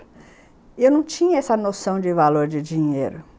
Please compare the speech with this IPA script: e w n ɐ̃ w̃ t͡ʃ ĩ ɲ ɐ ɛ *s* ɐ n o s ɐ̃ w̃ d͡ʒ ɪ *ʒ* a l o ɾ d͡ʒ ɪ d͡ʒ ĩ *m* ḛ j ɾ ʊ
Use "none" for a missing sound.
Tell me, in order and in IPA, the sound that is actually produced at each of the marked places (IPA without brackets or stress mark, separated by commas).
s, v, ɲ